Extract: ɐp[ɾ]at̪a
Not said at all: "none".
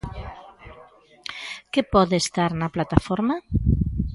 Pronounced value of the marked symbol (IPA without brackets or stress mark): l